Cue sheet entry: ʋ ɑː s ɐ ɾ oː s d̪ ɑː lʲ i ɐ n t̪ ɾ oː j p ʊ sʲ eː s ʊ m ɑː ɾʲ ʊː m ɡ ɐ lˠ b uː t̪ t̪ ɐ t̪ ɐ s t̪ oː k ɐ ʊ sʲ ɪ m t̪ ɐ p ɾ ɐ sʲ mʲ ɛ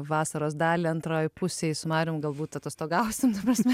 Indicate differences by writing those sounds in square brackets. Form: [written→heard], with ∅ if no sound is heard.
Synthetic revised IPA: ʋ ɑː s ɐ ɾ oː s d̪ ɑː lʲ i ɐ n t̪ ɾ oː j p ʊ sʲ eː s ʊ m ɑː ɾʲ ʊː m ɡ ɐ lˠ b uː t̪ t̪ ɐ t̪ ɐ s t̪ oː [k→ɡ] ɐ ʊ sʲ ɪ m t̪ ɐ p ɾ ɐ sʲ mʲ ɛ